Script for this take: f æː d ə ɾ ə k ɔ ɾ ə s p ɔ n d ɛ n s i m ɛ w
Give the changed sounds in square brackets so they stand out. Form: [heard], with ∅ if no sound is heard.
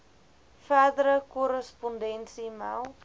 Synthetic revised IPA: f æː d ə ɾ ə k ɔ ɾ ə s p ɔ n d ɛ n s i m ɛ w

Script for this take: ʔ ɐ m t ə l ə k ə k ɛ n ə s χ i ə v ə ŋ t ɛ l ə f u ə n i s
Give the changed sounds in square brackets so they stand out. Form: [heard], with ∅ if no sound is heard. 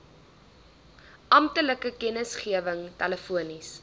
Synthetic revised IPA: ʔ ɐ m t ə l ə k ə k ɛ n ə s χ i ə v ə ŋ t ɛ l ə f u ə n i s

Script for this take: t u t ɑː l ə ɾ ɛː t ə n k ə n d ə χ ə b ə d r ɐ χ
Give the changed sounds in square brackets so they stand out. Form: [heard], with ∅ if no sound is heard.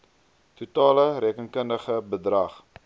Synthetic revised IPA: t u t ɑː l ə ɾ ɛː [k] ə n k ə n d ə χ ə b ə d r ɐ χ

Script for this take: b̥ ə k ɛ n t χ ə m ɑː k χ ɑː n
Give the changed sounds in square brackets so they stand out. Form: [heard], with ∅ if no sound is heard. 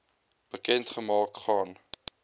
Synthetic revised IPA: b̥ ə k ɛ n t χ ə m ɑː k χ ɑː n

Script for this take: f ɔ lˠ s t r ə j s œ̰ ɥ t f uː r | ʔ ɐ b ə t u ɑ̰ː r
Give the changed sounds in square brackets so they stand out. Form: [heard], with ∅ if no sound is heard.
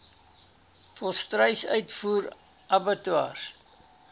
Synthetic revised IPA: f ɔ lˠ s t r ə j s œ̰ ɥ t f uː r | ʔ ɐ b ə t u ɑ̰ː r

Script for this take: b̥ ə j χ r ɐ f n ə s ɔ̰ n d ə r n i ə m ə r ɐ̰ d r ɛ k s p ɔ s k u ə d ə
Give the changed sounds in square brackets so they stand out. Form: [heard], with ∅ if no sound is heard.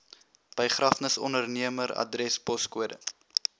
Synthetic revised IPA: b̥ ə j χ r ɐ f n ə s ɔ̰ n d ə r n i ə m ə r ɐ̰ d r ɛ [∅] s p ɔ s k u ə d ə

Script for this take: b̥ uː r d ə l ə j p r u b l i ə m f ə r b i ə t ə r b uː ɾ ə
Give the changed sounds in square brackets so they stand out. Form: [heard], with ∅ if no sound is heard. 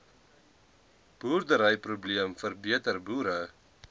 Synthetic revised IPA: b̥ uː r d ə [ɾ] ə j p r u b l i ə m f ə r b i ə t ə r b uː ɾ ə

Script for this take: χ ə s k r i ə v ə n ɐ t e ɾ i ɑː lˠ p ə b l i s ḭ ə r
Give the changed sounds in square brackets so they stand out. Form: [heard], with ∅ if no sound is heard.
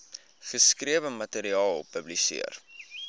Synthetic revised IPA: χ ə s k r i ə v ə [m] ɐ t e ɾ i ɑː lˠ p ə b l i s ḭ ə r

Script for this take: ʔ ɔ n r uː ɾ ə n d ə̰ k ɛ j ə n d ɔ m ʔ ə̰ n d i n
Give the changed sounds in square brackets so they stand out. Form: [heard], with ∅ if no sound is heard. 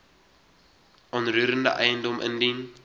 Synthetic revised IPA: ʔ ɔ n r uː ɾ ə n d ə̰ [ʔ] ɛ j ə n d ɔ m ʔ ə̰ n d i n

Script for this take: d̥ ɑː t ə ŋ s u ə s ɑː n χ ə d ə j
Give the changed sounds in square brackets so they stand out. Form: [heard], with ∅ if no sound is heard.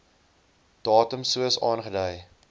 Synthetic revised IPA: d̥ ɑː t ə [m] s u ə s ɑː n χ ə d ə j

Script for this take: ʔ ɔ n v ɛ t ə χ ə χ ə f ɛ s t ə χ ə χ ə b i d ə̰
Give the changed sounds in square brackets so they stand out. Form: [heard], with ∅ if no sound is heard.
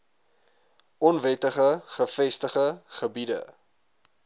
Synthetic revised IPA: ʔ ɔ n v ɛ t ə χ ə χ ə f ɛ s t ə χ ə χ ə b i d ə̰

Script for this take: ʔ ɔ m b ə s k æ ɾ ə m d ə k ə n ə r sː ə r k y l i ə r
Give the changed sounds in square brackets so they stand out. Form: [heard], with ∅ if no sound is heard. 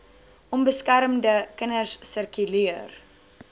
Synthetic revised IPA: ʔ ɔ m b ə s k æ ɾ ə m d ə k ə n ə r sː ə r k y l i ə r

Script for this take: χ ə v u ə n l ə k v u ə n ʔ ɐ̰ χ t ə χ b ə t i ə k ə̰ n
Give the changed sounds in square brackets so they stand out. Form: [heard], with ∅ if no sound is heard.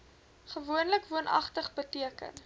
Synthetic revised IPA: χ ə v u ə n l ə k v u ə n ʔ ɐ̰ χ t ə χ b ə t i ə k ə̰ n

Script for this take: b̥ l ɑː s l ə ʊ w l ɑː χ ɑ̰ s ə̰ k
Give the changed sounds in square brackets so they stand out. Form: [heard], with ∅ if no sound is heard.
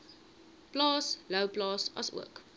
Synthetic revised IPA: b̥ l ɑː s l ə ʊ [b] l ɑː [s] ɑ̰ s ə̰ k

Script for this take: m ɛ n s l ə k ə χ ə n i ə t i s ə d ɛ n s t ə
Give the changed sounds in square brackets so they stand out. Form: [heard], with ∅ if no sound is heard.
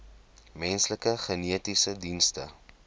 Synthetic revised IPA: m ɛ n s l ə k ə χ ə n i ə t i s ə d [i] n s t ə

